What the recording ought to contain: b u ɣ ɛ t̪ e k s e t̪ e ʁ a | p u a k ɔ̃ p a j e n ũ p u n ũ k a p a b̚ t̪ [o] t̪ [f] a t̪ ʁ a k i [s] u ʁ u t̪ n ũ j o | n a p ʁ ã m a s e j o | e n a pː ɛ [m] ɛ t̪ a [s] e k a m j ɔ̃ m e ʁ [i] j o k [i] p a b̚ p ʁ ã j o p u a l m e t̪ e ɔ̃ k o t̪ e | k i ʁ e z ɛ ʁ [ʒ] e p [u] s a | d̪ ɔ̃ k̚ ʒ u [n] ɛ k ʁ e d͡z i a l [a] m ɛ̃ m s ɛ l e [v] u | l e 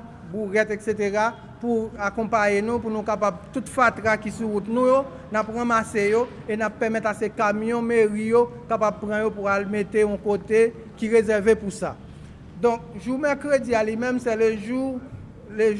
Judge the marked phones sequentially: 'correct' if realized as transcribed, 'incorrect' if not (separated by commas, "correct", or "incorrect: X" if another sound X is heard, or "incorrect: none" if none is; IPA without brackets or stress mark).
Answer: incorrect: u, correct, correct, correct, correct, correct, incorrect: a, incorrect: v, correct, incorrect: m, incorrect: i, incorrect: ʒ